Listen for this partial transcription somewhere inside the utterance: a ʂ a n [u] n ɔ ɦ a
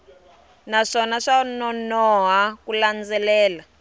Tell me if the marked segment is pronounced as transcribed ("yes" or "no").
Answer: no